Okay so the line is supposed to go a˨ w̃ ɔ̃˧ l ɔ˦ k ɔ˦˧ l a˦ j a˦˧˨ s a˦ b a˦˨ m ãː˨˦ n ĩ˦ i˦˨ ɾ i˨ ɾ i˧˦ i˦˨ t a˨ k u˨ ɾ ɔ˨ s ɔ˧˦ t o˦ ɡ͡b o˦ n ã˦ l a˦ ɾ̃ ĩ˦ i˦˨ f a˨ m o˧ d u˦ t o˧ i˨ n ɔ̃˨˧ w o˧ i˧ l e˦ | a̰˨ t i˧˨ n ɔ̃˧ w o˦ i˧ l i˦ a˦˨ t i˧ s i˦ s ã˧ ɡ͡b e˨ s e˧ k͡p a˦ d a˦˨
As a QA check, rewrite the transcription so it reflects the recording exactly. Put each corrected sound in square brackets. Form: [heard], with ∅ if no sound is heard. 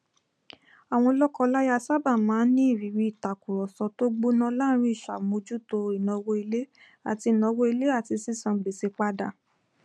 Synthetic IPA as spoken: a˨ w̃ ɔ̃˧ l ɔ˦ k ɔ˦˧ l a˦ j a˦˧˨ s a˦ b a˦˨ m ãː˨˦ n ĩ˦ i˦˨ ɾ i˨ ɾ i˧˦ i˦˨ t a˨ k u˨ ɾ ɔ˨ s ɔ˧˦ t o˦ ɡ͡b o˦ n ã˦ l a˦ ɾ̃ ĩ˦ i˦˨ [ʃ] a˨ m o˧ [d͡ʒ] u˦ t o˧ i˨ n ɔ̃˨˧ w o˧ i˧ l e˦ | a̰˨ t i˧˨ n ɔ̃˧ w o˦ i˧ l [e˦] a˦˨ t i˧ s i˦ s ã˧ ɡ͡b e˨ s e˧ k͡p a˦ d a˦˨